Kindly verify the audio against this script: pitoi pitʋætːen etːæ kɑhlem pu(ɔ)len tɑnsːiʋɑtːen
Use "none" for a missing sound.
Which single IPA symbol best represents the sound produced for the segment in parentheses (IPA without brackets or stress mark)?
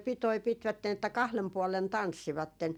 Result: ɔ